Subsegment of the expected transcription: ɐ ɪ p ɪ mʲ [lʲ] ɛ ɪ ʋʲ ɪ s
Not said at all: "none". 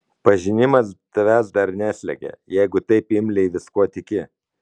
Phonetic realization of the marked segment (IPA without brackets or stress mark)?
lʲ